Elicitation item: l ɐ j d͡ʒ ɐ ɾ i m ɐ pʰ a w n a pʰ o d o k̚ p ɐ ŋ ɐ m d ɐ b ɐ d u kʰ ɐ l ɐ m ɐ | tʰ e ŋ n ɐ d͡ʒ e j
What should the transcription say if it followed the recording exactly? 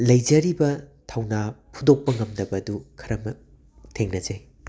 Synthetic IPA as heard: l ɐ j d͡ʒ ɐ ɾ i b ɐ tʰ a w n a pʰ u d o k̚ p ɐ ŋ ɐ m d ɐ b ɐ d u kʰ ɐ ɾ ɐ m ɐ | tʰ e ŋ n ɐ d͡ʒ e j

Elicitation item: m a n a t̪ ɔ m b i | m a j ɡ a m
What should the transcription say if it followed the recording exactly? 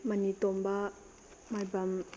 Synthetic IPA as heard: m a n i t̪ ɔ m b a | m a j b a m

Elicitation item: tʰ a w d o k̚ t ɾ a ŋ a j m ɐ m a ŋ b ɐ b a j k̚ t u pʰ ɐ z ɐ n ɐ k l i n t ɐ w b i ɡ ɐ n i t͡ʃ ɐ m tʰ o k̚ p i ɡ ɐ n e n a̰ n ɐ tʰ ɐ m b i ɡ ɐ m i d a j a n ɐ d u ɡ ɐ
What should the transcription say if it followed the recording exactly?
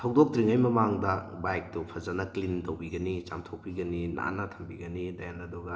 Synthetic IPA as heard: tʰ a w d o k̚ t ɾ i ŋ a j m ɐ m a ŋ d ɐ b a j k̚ t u pʰ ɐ z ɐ n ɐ k l i n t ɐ w b i ɡ ɐ n i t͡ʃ a m tʰ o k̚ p i ɡ ɐ n i n a̰ n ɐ tʰ ɐ m b i ɡ ɐ n i d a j a n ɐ d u ɡ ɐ

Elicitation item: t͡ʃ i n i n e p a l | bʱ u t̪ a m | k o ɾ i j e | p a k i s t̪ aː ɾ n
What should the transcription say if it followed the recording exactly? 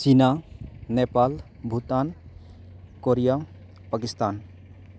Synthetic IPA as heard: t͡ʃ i n a n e p a l | bʱ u t̪ a n | k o ɾ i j a | p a k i s t̪ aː n

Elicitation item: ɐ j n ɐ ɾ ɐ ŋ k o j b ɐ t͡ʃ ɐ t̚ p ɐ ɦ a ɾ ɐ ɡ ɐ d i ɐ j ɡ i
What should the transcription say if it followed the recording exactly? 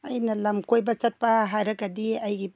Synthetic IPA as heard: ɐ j n ɐ l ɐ m k o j b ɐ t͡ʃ ɐ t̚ p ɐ ɦ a ɾ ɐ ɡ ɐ d i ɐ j ɡ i

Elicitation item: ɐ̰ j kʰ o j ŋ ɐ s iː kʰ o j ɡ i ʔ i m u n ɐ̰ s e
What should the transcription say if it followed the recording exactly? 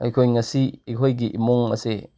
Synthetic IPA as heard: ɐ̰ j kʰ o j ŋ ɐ s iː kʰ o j ɡ i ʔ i m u ŋ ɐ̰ s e

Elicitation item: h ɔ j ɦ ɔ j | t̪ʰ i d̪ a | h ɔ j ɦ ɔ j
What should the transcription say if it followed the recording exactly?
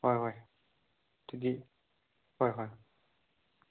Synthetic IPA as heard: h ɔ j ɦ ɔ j | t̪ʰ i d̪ i | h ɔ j ɦ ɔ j

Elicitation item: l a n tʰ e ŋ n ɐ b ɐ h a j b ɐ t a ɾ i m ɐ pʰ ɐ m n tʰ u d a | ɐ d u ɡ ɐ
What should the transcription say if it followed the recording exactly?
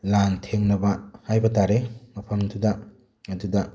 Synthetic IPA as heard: l a n tʰ e ŋ n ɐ b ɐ h a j b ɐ t a ɾ e m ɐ pʰ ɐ m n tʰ u d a | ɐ d u d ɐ

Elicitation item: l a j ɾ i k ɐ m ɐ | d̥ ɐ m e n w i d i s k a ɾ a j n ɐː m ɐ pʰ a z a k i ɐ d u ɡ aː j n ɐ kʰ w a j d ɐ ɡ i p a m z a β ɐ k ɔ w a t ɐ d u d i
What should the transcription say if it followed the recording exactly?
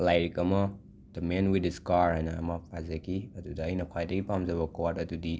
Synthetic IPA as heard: l a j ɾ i k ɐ m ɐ | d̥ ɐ m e n w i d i s k a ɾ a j n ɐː m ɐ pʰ a z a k i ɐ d u d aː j n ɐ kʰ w a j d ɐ ɡ i p a m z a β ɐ k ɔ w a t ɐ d u d i

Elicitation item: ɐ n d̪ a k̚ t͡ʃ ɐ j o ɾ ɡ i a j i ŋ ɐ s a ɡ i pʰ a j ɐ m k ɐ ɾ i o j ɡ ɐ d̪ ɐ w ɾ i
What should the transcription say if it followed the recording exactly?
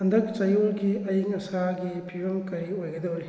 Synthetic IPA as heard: ɐ n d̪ ɐ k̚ t͡ʃ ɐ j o ɾ ɡ i ɐ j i ŋ ɐ s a ɡ i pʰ i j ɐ m k ɐ ɾ i o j ɡ ɐ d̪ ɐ w ɾ i

